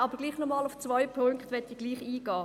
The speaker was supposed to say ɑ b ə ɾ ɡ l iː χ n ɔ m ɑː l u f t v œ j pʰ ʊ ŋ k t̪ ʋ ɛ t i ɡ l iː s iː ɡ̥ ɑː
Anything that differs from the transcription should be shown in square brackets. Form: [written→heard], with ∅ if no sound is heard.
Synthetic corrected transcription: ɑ b ə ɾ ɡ l iː χ n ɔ m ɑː l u f [t→t͡s] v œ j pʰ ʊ ŋ k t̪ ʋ ɛ t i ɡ l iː [s→χ] iː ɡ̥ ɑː